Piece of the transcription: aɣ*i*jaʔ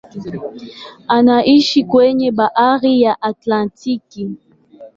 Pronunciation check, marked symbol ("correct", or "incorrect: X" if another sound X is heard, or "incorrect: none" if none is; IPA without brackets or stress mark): correct